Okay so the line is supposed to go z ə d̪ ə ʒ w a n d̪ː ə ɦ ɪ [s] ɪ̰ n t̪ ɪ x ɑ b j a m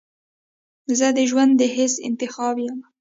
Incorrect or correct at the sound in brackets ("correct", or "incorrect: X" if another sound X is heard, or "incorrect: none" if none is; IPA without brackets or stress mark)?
correct